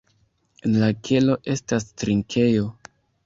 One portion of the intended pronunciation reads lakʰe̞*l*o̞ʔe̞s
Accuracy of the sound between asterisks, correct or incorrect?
correct